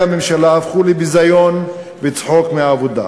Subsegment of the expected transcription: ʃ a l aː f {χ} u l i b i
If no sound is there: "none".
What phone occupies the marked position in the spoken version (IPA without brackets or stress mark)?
χ